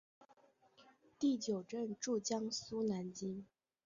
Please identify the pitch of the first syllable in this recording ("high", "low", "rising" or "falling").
falling